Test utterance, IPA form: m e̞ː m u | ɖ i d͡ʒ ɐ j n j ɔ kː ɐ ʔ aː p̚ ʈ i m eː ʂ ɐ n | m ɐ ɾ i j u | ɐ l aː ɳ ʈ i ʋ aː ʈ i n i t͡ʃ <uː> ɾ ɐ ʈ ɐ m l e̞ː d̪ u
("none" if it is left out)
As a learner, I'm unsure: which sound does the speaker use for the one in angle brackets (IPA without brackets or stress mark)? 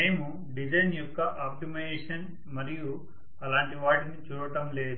uː